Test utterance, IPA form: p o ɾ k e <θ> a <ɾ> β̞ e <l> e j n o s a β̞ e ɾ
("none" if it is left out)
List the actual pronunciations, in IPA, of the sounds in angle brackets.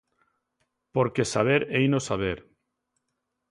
s, none, ɾ

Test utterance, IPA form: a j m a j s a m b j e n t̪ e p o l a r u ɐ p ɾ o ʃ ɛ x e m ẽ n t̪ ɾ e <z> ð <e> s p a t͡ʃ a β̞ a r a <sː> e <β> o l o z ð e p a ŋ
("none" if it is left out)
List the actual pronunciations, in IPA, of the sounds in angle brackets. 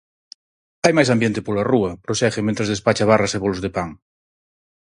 z, e, s, β

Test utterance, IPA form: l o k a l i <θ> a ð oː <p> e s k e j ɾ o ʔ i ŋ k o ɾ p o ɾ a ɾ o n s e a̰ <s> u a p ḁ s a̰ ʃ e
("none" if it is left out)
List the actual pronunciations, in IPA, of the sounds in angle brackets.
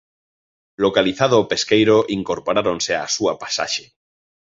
θ, p, s

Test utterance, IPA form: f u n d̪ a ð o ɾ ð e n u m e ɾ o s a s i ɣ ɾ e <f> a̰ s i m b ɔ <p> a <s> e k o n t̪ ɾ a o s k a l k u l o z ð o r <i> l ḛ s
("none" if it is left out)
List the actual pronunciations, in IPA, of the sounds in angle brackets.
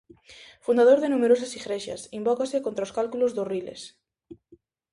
ʃ, k, s, i

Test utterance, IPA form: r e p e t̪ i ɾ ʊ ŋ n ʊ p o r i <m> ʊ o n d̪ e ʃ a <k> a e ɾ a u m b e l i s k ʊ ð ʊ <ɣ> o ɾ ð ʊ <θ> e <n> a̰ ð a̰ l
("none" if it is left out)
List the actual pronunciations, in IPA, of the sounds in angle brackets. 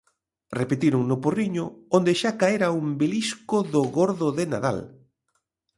ɲ, k, ɣ, ð, n

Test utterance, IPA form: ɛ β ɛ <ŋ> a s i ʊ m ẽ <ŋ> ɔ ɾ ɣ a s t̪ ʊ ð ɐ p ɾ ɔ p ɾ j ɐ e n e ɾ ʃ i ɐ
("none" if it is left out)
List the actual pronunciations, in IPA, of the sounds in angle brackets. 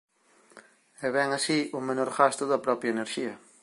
ŋ, n

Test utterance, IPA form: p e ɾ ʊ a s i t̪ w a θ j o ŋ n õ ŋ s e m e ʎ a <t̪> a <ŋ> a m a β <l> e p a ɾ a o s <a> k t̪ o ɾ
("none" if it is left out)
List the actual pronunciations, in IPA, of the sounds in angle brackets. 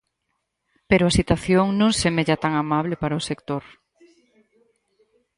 t̪, ŋ, l, e

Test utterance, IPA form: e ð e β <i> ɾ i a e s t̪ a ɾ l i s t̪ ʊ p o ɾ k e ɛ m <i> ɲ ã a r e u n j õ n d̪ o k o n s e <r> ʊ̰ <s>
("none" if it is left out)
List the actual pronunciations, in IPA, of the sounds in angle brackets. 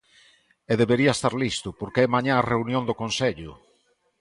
e, a, ʎ, none

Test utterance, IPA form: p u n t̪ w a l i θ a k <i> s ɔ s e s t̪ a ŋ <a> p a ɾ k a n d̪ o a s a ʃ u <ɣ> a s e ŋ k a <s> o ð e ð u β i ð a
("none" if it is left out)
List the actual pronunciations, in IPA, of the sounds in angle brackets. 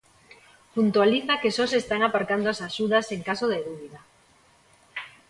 e, a, ð, s

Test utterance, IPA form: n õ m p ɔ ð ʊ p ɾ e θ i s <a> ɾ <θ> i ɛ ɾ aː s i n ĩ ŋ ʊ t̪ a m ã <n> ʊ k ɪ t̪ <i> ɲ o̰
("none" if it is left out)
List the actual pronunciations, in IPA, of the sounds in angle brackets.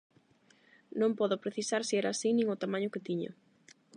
a, s, ɲ, i

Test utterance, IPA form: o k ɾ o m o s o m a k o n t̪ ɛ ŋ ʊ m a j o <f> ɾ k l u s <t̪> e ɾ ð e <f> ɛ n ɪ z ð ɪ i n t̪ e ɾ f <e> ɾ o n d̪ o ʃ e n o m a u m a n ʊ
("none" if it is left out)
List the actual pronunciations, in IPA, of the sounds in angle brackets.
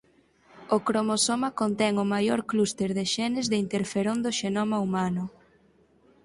none, t̪, ʃ, e

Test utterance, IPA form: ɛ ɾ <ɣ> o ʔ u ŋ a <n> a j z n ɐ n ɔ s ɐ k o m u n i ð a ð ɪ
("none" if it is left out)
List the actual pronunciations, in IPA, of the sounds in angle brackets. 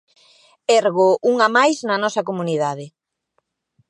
ɣ, m

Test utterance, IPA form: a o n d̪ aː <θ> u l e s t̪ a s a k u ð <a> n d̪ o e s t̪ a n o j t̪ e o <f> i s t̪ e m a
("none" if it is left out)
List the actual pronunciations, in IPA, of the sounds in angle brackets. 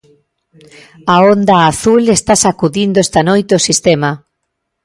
θ, i, s

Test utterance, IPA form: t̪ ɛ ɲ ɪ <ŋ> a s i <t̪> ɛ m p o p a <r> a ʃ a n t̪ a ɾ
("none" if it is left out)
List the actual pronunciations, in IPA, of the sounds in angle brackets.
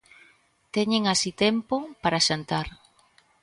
ŋ, t̪, ɾ

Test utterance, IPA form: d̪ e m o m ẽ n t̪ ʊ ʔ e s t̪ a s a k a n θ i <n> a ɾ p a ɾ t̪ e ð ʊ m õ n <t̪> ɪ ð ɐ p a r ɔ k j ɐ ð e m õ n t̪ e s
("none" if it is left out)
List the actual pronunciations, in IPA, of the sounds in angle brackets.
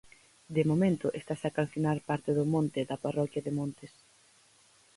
n, t̪

